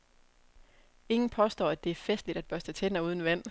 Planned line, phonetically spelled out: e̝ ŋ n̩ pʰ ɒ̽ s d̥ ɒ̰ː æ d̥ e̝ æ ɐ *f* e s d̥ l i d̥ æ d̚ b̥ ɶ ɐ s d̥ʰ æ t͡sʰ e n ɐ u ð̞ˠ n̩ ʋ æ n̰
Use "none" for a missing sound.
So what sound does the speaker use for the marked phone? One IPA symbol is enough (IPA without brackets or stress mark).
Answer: f